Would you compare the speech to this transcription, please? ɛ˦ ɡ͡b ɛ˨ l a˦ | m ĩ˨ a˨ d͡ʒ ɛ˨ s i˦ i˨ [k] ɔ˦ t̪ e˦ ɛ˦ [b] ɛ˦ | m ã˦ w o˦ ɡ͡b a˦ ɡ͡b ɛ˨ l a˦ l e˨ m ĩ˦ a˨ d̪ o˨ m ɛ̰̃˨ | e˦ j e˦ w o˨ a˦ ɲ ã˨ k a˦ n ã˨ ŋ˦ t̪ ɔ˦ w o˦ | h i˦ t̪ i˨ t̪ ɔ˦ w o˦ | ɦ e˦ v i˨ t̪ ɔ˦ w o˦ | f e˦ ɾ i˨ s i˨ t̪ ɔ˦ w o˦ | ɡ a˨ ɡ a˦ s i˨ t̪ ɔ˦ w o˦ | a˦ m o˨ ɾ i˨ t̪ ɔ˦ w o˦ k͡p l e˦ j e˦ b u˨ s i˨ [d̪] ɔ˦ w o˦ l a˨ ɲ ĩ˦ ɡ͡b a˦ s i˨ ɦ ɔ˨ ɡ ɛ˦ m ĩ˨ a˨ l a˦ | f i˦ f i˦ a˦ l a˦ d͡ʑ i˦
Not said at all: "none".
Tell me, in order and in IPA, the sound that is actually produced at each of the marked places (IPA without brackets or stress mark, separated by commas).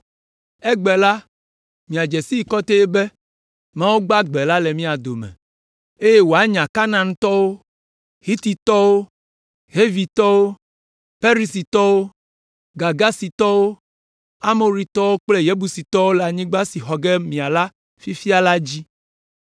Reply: k, b, t̪